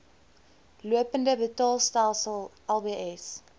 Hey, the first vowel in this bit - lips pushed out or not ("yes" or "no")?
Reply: yes